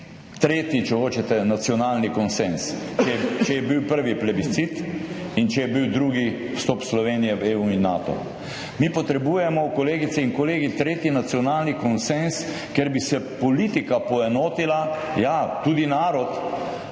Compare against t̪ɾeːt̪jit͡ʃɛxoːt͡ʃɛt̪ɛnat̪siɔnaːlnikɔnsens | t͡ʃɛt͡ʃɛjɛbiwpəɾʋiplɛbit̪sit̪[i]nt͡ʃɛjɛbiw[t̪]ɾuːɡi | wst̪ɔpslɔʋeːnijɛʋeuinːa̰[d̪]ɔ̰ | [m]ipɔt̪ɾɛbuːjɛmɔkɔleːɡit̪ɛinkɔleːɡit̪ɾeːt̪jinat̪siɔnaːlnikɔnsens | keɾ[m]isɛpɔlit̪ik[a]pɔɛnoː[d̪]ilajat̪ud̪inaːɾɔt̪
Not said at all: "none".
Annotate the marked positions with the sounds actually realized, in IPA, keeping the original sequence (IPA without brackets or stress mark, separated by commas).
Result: i, d̪, t̪, m, b, a, t̪